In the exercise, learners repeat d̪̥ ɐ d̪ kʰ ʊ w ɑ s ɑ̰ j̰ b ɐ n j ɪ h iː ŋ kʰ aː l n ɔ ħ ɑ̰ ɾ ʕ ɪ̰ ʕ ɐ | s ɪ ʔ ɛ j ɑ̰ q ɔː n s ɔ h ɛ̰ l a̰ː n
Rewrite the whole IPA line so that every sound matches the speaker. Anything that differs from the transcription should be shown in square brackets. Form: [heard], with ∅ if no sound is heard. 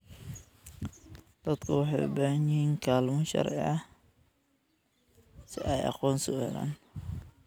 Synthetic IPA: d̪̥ ɐ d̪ kʰ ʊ w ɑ [ħ] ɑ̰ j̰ b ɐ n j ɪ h iː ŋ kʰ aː l [m] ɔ [ʃ] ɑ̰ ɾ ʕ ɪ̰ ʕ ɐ | s ɪ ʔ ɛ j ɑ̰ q ɔː n s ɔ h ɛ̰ l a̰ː n

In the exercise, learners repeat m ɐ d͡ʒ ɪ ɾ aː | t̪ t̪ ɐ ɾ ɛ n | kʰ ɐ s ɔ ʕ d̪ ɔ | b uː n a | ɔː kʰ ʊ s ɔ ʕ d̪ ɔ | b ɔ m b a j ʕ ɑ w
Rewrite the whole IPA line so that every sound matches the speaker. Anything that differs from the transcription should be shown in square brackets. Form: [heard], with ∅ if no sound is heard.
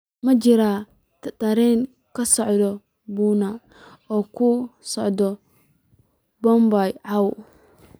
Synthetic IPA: m ɐ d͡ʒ ɪ ɾ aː | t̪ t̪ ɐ ɾ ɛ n | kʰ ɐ s ɔ ʕ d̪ ɔ | b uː n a | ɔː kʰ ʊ s ɔ ʕ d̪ ɔ | b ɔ m b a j ʕ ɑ w

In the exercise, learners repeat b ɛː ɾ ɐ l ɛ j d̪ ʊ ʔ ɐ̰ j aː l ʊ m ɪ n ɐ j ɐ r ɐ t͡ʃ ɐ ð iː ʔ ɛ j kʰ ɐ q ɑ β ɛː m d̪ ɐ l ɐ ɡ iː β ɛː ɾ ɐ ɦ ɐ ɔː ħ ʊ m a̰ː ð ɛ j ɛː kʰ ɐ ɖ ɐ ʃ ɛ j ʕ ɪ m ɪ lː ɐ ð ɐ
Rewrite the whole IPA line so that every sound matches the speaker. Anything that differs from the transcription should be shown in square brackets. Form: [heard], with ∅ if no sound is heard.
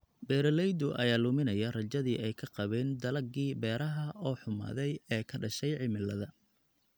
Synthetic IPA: b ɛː ɾ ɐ l ɛ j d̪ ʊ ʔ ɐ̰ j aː l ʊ m ɪ n ɐ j ɐ r ɐ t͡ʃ ɐ ð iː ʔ ɛ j kʰ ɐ q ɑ β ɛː [n] d̪ ɐ l ɐ ɡ iː [b] ɛː ɾ ɐ ɦ ɐ ɔː ħ ʊ m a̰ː ð ɛ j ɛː kʰ ɐ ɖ ɐ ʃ ɛ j ʕ ɪ m ɪ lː ɐ ð ɐ

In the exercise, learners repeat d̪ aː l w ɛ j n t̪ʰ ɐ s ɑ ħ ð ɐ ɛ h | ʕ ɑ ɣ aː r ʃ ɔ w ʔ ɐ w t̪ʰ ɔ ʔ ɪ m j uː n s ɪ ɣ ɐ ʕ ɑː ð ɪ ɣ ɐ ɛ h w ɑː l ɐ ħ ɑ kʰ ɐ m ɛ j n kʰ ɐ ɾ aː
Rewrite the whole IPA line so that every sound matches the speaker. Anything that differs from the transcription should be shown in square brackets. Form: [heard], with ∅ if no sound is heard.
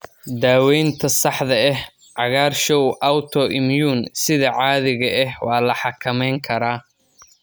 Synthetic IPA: d̪ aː [∅] w ɛ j n t̪ʰ ɐ s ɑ ħ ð ɐ ɛ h | ʕ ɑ ɣ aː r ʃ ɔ w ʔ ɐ w t̪ʰ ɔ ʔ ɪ m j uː n s ɪ [ð] ɐ ʕ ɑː ð ɪ ɣ ɐ ɛ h w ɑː l ɐ ħ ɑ kʰ ɐ m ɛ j [ŋ] kʰ ɐ ɾ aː

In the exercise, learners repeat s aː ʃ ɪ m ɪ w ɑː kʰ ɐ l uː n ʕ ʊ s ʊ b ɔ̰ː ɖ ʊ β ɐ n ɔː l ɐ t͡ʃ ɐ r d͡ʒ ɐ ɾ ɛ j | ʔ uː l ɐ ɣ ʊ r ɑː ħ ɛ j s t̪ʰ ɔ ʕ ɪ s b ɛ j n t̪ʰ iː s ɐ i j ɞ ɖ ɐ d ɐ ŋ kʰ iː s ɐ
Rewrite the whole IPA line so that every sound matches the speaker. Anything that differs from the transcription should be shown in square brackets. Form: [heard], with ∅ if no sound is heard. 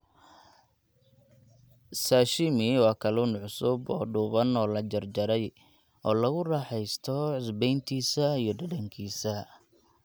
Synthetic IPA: s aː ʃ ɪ m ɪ w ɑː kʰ ɐ l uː n ʕ ʊ s ʊ b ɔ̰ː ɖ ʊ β ɐ n ɔː l ɐ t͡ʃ ɐ r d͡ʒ ɐ ɾ ɛ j | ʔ [ɔː] l ɐ ɣ ʊ r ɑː ħ ɛ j s t̪ʰ ɔ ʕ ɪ s b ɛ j n t̪ʰ iː s ɐ i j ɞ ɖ ɐ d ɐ ŋ kʰ iː s ɐ

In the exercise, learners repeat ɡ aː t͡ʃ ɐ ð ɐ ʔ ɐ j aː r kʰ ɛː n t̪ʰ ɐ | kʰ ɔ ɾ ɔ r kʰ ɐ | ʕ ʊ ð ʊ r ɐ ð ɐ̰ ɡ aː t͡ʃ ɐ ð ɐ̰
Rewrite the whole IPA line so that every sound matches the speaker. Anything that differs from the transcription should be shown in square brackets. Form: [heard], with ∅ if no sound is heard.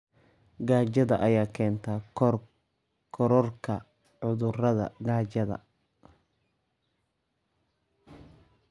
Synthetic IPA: ɡ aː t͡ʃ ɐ ð ɐ ʔ ɐ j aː [∅] kʰ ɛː n t̪ʰ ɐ | kʰ ɔ ɾ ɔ r kʰ ɐ | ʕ ʊ ð ʊ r ɐ ð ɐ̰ ɡ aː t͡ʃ ɐ ð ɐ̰

